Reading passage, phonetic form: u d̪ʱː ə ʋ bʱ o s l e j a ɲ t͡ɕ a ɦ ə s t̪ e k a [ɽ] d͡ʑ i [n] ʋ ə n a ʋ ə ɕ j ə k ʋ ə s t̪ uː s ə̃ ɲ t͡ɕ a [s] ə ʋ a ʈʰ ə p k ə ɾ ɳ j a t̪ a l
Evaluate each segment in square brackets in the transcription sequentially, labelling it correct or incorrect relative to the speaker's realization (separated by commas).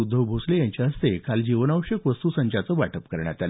incorrect, incorrect, incorrect